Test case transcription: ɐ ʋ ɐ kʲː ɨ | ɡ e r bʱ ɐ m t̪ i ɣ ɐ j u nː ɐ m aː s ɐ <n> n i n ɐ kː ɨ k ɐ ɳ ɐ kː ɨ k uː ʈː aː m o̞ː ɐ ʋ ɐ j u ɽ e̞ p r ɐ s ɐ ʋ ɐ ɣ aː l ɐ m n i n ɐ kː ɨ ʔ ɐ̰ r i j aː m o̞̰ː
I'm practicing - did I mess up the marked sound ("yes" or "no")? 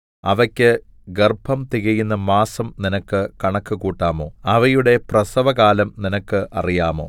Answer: yes